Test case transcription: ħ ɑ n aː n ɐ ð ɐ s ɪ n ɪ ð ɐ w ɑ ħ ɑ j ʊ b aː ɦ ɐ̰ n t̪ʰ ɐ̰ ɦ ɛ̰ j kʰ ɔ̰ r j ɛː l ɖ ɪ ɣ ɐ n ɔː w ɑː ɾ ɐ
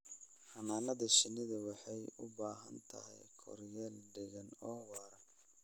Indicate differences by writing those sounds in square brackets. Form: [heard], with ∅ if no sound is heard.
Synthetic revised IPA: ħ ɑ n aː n ɐ ð ɐ [ʃ] ɪ n ɪ ð ɐ w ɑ ħ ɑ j ʊ b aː ɦ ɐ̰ n t̪ʰ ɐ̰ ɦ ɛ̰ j kʰ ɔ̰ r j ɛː l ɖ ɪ ɣ ɐ n ɔː w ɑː ɾ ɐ